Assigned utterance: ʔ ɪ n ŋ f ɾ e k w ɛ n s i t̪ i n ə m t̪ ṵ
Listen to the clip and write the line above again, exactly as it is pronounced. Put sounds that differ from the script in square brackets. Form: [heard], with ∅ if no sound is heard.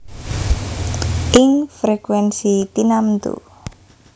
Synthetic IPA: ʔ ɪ [∅] ŋ f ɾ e k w ɛ n s i t̪ i n [a] m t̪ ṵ